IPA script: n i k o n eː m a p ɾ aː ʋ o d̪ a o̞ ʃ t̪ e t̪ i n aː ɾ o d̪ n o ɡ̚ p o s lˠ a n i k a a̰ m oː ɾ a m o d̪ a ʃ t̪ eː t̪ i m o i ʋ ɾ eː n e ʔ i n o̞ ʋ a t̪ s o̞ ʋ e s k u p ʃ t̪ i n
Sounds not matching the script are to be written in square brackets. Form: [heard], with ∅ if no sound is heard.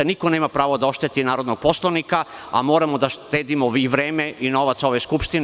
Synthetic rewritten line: n i k o n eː m a p ɾ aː ʋ o d̪ a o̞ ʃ t̪ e t̪ i n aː ɾ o d̪ n o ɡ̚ p o s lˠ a n i k a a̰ m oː ɾ a m o d̪ a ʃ t̪ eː [d̪] i m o i ʋ ɾ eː [m] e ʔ i n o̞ ʋ a t̪ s o̞ ʋ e s k u p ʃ t̪ i n